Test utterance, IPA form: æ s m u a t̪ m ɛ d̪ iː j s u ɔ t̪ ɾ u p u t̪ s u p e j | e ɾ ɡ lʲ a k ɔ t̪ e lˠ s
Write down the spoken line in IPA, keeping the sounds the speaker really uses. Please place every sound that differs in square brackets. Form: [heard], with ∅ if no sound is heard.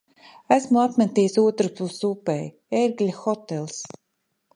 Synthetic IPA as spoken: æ s m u a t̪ m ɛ [t̪] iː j s u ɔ t̪ ɾ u p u [∅] s u p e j | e ɾ ɡ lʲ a [x] ɔ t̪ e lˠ s